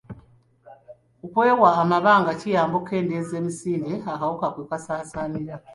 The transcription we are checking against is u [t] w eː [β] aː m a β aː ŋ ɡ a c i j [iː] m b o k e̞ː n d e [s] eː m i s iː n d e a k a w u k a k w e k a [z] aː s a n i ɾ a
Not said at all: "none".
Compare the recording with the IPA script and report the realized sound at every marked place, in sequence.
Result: k, w, aː, z, s

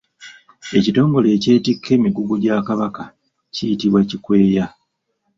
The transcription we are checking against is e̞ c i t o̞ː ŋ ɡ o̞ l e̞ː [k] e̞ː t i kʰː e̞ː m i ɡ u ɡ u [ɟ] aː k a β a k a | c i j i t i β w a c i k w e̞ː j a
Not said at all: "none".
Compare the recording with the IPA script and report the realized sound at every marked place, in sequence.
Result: c, ɟ

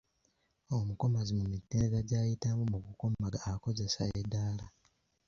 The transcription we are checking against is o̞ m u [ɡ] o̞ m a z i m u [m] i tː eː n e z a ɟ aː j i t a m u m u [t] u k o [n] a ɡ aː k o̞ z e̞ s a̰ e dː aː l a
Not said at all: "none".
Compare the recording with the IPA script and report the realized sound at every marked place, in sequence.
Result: k, m, k, m

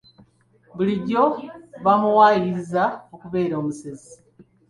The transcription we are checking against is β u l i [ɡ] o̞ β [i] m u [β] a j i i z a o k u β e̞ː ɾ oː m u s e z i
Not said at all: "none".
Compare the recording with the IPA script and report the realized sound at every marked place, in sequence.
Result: ɟ, a, w

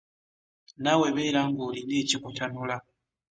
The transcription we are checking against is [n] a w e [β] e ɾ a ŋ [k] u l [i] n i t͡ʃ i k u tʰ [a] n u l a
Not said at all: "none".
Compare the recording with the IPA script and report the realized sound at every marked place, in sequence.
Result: n, β, ɡ, i, a

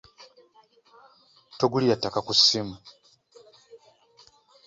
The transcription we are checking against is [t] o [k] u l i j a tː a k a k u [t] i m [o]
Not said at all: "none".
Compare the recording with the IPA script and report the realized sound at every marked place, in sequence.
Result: t, ɡ, s, u

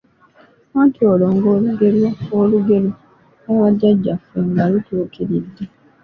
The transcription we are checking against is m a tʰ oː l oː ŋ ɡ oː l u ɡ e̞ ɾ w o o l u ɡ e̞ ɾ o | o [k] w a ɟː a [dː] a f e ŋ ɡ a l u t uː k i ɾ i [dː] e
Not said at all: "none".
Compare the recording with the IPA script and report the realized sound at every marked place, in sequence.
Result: none, ɟː, dː

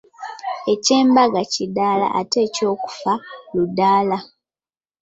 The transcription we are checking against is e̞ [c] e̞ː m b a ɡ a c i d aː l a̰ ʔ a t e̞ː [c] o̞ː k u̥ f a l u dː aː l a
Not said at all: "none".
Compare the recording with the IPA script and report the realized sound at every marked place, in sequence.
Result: c, c

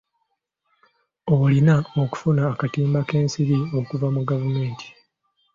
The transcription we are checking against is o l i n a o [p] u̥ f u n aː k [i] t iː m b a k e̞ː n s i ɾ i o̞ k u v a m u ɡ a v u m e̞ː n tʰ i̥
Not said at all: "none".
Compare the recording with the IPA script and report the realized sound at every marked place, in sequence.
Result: k, a

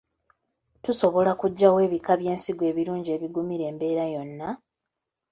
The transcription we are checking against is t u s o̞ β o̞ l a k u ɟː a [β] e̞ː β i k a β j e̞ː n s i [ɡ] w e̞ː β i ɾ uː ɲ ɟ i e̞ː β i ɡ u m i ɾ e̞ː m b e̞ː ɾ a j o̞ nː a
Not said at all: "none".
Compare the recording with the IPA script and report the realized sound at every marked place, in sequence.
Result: w, ɡ

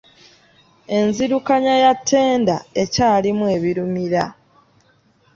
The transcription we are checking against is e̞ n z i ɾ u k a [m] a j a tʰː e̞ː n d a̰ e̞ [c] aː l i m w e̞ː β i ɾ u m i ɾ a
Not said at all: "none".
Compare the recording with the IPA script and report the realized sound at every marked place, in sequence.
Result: ɲ, c

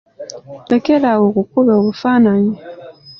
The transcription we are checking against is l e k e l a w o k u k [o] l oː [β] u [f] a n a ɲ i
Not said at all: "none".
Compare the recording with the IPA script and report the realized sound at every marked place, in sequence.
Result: u, β, f

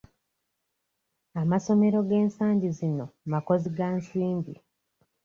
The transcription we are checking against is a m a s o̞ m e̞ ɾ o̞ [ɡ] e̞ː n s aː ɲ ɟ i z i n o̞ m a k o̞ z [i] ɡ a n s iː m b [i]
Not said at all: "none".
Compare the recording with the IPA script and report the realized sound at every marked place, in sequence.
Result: ɡ, i, i

